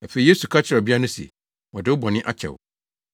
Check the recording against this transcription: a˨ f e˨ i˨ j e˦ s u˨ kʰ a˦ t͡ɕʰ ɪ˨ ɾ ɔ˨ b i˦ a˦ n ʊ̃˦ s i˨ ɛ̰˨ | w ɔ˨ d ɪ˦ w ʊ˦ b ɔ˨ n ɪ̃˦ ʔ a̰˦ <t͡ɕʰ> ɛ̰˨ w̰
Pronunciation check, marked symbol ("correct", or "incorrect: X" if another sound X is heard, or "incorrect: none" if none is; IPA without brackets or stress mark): correct